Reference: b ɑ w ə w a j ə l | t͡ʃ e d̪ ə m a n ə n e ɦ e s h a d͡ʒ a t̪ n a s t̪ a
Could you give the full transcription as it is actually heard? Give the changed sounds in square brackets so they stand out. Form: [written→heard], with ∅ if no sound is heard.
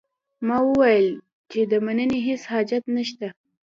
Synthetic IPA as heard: [b→m] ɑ w ə w a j ə l | t͡ʃ e d̪ ə m a n ə n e ɦ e s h [a→ɑ] d͡ʒ a t̪ n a [s→ʃ] t̪ a